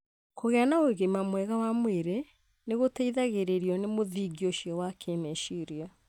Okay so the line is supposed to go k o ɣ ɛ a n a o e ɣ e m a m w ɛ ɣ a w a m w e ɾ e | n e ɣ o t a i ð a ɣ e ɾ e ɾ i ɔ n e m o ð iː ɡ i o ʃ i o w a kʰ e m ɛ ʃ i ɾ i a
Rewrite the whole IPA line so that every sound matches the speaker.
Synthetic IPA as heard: k o ɣ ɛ a n a o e ɣ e m a m w ɛ ɣ a w a m w e ɾ e | n e ɣ o t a i ð a ɣ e ɾ e ɾ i ɔ n e m o ð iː ɡ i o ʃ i ɔ w a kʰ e m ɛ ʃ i ɾ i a

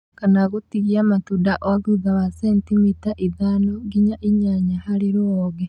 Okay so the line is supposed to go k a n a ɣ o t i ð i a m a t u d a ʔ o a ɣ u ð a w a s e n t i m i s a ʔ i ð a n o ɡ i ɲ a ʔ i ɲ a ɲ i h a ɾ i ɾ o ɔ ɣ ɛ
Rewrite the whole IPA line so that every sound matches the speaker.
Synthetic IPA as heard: k a n a ɣ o t i ɣ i a m a t u d a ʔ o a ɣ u ð a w a s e n t i m i t a ʔ i ð a n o ɡ i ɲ a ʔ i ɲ a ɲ a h a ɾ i ɾ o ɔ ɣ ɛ

